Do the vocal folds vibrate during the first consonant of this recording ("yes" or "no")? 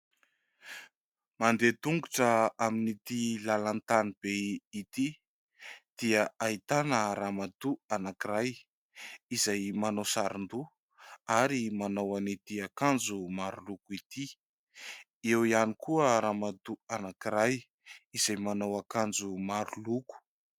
yes